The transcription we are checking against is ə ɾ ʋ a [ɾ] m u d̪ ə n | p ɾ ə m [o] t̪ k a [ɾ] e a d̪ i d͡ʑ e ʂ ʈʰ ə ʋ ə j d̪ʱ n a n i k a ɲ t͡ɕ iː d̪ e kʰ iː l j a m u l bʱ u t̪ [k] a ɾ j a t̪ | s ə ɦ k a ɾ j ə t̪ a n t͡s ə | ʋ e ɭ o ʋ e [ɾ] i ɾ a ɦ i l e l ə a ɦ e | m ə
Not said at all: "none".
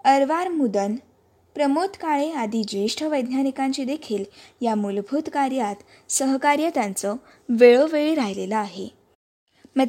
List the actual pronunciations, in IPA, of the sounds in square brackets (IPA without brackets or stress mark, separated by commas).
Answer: ɾ, o, ɭ, k, ɭ